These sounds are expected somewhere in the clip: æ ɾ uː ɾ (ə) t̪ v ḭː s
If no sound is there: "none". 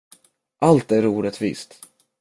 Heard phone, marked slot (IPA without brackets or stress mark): ə